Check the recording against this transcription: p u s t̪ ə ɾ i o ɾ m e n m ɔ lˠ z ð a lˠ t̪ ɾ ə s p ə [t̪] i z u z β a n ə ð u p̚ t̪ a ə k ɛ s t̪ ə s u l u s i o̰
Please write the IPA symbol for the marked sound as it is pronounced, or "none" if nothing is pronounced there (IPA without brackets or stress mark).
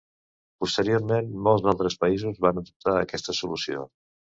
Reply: none